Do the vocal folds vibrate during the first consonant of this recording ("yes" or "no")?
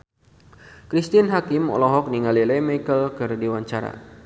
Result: no